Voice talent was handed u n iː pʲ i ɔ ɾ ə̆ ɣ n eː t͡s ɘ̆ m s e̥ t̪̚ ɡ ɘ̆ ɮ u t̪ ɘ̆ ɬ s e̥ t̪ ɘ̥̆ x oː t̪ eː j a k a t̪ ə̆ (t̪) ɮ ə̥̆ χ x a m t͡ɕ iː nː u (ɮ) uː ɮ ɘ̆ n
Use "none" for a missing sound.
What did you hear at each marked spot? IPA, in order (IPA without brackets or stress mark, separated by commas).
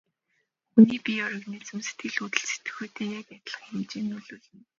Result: none, ɮ